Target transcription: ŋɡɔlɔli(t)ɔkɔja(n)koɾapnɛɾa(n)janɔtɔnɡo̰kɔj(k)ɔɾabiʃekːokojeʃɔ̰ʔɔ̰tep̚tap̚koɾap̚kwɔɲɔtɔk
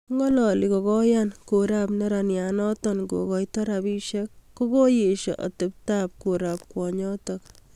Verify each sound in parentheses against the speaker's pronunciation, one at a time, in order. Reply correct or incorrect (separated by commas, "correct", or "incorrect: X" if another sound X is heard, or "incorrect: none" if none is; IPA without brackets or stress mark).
incorrect: k, correct, correct, incorrect: t